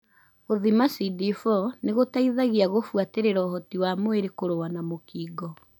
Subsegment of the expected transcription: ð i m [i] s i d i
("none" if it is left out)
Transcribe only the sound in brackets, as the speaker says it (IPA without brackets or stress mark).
a